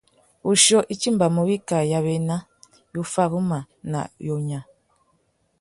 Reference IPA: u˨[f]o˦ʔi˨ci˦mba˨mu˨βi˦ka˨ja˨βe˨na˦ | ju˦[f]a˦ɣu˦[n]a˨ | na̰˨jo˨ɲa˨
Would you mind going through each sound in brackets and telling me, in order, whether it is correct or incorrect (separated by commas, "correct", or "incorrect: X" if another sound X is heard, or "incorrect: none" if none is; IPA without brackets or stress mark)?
incorrect: ʃ, correct, incorrect: m